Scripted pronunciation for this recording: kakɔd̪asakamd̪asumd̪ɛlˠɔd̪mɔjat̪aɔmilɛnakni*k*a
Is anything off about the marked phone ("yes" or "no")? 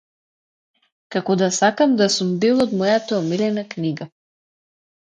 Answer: yes